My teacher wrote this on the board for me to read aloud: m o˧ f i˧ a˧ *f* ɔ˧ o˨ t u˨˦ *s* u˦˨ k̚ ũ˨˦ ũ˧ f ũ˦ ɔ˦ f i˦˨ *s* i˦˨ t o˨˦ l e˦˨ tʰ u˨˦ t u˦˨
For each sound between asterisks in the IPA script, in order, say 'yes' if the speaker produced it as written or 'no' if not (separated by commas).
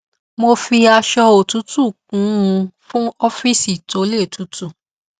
no, no, yes